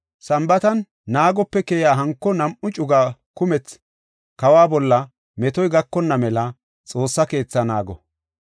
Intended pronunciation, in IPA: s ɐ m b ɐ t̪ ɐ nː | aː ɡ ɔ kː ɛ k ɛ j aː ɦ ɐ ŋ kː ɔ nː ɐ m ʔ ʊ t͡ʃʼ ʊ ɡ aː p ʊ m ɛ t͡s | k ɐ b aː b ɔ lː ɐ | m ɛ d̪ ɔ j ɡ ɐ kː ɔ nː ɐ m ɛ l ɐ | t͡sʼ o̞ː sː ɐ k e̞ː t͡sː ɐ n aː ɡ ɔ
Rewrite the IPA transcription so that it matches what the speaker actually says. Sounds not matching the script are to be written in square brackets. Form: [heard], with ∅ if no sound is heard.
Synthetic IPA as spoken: s ɐ m b ɐ t̪ ɐ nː | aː ɡ ɔ [pː] ɛ k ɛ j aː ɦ ɐ ŋ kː ɔ [n] ɐ m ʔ ʊ t͡ʃʼ ʊ ɡ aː [k] ʊ m ɛ t͡s | k ɐ [w] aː b ɔ lː ɐ | m ɛ [t̪] ɔ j ɡ ɐ kː ɔ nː ɐ m ɛ l ɐ | t͡sʼ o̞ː sː ɐ k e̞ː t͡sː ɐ n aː ɡ ɔ